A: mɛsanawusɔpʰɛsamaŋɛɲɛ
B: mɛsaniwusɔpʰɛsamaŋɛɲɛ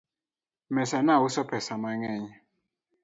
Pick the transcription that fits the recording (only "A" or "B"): A